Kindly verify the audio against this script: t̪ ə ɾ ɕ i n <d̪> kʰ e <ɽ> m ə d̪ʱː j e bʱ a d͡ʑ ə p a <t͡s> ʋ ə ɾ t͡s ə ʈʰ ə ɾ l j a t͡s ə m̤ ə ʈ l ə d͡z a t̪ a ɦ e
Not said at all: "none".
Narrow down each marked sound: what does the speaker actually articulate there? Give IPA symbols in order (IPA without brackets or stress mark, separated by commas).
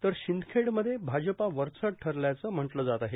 d̪, ɽ, none